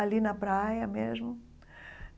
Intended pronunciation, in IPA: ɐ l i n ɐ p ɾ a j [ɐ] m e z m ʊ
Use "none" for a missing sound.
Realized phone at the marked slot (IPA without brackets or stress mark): ɐ